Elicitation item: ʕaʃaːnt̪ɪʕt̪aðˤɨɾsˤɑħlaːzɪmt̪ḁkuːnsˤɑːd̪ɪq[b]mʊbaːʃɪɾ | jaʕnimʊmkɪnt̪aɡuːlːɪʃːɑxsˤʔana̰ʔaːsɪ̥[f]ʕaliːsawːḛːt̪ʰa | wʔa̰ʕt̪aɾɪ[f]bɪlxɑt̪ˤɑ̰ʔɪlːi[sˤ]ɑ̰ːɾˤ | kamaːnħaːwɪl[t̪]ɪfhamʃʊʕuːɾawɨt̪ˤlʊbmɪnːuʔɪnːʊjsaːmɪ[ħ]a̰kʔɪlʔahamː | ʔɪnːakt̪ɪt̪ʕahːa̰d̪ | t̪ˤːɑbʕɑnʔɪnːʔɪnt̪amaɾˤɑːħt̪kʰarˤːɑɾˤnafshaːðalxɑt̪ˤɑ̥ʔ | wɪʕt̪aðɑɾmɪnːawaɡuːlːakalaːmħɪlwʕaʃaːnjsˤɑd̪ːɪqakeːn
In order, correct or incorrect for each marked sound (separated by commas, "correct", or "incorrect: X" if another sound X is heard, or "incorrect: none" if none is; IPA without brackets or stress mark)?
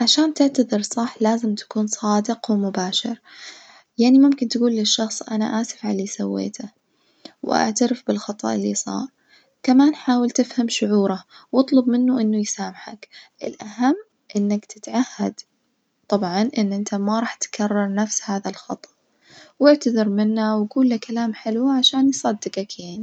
incorrect: w, correct, correct, correct, correct, correct